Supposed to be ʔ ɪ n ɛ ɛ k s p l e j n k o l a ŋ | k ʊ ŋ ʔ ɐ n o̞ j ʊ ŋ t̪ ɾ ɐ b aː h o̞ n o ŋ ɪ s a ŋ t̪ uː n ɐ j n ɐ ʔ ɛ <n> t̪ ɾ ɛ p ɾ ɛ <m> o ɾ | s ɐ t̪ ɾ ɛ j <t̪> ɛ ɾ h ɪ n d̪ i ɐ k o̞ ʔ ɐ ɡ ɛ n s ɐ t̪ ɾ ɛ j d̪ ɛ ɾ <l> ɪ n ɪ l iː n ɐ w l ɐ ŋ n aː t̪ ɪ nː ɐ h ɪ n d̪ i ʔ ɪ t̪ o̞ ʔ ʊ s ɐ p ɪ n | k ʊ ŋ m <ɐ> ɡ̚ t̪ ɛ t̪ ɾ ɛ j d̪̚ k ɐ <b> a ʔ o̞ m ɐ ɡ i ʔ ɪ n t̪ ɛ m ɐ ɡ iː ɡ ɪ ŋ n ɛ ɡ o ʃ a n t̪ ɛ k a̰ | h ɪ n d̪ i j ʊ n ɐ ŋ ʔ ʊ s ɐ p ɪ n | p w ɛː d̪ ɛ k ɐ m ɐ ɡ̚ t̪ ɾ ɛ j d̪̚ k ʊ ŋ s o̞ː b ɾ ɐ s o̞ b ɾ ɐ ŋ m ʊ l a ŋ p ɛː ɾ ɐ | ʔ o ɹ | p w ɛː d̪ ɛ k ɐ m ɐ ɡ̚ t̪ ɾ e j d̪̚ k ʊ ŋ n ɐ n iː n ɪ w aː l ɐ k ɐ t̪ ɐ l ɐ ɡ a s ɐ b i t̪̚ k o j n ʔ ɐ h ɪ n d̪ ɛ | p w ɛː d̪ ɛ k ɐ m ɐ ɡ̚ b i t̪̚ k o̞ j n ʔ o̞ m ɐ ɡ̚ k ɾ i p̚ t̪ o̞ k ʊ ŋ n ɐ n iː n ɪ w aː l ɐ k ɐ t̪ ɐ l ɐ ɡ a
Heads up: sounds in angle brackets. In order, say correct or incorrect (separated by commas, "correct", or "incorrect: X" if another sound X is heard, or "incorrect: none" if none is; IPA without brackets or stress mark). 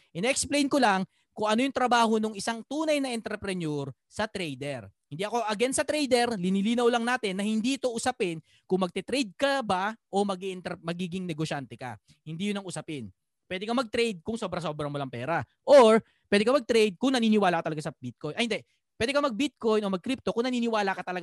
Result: correct, incorrect: n, incorrect: d̪, correct, correct, correct